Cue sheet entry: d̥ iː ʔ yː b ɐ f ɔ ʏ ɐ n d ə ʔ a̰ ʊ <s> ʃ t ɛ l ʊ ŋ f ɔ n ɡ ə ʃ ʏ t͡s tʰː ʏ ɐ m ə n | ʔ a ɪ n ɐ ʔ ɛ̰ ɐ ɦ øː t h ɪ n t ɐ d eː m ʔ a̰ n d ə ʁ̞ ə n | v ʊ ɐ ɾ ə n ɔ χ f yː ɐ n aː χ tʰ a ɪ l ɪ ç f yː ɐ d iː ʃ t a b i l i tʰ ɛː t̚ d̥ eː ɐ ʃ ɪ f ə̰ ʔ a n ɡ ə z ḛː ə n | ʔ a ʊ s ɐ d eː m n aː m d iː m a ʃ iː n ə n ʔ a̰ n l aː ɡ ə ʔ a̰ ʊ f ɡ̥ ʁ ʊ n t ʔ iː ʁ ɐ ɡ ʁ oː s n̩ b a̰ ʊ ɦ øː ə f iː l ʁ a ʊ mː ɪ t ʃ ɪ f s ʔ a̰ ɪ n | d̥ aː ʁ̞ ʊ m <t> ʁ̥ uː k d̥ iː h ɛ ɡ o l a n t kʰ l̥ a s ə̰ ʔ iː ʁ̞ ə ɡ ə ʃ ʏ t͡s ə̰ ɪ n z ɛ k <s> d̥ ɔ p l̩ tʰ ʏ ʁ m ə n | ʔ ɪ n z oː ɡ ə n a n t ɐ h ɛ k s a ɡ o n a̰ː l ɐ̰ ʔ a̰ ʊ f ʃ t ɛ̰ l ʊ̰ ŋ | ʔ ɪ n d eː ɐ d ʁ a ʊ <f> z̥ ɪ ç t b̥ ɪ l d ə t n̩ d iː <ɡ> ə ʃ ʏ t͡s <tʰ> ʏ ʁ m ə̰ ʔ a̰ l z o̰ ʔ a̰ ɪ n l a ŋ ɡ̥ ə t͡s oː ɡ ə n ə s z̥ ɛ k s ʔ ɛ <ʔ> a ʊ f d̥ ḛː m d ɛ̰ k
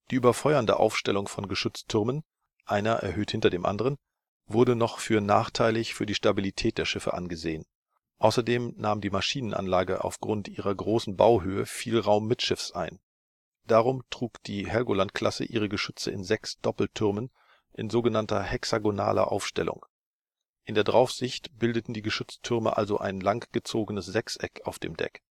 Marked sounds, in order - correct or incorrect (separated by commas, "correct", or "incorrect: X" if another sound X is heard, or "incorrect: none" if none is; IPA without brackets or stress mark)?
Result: incorrect: f, correct, correct, correct, correct, correct, incorrect: k